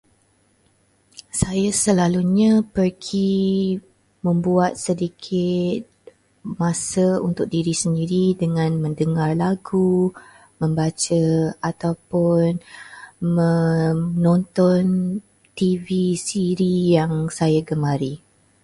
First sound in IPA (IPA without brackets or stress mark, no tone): s